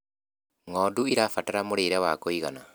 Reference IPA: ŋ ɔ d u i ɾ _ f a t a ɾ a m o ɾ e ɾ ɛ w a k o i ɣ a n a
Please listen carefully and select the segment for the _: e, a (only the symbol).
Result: a